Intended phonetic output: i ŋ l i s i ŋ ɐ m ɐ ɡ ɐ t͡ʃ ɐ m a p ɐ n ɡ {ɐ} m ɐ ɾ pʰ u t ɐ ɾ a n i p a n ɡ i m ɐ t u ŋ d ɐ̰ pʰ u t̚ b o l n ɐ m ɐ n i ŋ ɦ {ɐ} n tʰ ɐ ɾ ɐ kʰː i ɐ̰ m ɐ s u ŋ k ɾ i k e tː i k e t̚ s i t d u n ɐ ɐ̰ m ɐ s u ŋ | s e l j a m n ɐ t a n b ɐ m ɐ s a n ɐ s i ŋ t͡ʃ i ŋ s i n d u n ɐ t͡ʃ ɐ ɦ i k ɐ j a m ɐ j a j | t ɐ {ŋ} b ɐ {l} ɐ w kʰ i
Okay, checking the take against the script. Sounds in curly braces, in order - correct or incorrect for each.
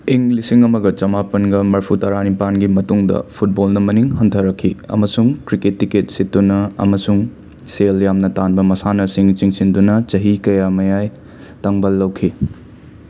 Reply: correct, correct, correct, incorrect: lː

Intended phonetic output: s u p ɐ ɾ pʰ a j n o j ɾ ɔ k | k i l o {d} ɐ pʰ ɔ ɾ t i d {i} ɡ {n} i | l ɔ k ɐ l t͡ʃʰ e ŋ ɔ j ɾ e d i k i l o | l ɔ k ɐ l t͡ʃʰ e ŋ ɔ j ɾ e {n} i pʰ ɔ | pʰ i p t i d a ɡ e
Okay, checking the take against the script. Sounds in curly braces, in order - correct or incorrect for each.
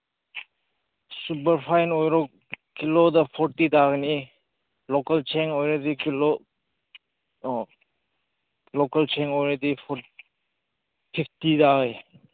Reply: correct, incorrect: a, correct, incorrect: d

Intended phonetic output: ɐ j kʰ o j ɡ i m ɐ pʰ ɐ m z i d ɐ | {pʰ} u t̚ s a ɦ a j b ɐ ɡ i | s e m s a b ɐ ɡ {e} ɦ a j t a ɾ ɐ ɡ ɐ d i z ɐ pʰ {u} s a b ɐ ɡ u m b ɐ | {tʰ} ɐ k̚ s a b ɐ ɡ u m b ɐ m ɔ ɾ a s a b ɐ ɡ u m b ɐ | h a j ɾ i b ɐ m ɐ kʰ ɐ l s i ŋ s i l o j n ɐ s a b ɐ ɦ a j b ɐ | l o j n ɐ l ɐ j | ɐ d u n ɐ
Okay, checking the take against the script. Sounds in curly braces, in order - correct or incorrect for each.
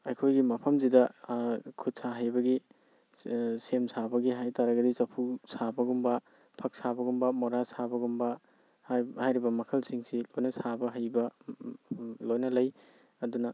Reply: incorrect: kʰ, incorrect: i, correct, incorrect: pʰ

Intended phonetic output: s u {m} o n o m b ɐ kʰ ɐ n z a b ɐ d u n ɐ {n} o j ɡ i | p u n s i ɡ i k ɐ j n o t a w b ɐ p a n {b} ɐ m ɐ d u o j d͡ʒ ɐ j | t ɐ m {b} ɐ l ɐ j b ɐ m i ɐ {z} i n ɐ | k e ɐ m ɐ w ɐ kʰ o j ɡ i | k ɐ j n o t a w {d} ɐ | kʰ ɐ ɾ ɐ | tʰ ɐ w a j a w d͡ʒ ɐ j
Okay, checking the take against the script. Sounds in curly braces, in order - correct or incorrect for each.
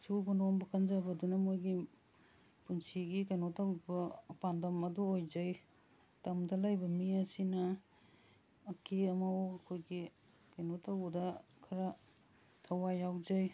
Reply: incorrect: b, incorrect: m, incorrect: d, incorrect: d, incorrect: s, correct

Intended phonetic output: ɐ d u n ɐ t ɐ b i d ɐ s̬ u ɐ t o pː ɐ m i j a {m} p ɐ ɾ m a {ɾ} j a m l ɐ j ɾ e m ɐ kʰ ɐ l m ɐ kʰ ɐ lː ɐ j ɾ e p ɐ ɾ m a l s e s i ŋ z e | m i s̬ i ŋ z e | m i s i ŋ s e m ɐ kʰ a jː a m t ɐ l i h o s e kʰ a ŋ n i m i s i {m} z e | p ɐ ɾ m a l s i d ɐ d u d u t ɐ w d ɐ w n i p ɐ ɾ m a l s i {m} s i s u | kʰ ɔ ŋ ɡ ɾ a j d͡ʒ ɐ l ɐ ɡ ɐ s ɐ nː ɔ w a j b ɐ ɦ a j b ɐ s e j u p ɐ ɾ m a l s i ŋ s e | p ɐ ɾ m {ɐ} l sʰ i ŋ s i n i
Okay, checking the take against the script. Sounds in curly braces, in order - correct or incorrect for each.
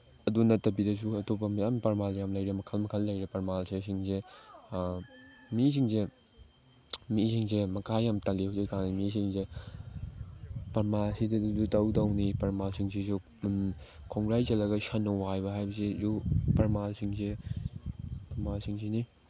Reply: correct, incorrect: l, incorrect: ŋ, incorrect: ŋ, incorrect: a

